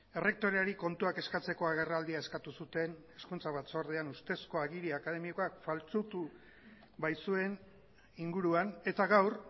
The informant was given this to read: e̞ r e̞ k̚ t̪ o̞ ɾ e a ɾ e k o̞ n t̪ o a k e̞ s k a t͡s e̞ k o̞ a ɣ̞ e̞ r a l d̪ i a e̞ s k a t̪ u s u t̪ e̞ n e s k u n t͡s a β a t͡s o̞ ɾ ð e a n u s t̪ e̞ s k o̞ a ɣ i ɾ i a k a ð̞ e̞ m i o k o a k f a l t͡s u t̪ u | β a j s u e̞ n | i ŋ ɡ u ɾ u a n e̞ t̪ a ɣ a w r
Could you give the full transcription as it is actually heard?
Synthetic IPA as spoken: e̞ r e̞ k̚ t̪ o̞ ɾ e a ɾ i k o̞ n t̪ u a k e̞ s k a t͡s e̞ k o̞ a ɣ̞ e̞ r a l d̪ i a e̞ s k a t̪ u s u t̪ e̞ n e s k u n t͡s a β a t͡s o̞ ɾ ð e a n u s t̪ e̞ s k o̞ a ɣ i ɾ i a k a ð̞ e̞ m i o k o a k f a l t͡s u t̪ u | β a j s u e̞ n | i ŋ ɡ u ɾ u a n e̞ t̪ a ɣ a w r